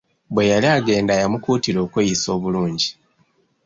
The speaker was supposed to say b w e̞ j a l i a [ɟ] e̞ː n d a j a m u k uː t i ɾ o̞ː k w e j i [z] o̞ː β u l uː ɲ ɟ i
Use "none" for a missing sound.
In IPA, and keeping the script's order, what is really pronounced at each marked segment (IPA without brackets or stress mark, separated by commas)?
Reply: ɡ, s